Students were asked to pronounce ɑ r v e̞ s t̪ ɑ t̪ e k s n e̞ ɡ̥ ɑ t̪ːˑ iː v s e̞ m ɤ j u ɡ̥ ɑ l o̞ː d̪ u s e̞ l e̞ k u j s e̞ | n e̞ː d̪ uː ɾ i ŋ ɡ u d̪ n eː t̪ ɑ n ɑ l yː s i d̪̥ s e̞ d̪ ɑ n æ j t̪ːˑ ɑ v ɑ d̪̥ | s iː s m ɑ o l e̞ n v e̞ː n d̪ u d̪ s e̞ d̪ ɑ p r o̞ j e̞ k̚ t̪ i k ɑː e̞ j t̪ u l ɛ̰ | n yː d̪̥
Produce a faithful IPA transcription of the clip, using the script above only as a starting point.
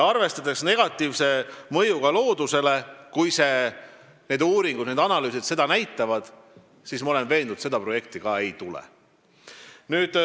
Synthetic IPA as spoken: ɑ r v e̞ s t̪ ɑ d̪ e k s n e̞ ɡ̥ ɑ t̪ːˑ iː v s e̞ m ɤ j u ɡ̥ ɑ l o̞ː d̪ u s e̞ l e̞ k u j s e̞ | n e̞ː d̪ uː ɾ i ŋ ɡ u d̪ n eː d̪ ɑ n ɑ l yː s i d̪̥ s e̞ d̪ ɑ n æ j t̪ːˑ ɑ v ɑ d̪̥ | s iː s m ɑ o l e̞ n v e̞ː n d̪ u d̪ s e̞ d̪ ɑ p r o̞ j e̞ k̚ t̪ i k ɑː e̞ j t̪ u l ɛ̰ | n yː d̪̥